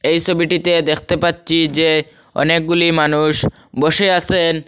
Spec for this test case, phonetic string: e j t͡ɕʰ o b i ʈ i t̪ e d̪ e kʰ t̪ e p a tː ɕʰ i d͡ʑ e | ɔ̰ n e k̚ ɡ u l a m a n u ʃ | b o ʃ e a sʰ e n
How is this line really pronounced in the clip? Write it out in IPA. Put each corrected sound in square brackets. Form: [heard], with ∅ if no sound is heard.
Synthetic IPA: e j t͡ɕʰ o b i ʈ i t̪ e d̪ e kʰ t̪ e p a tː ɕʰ i d͡ʑ e | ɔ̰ n e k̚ ɡ u l [i] m a n u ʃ | b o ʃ e a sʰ e n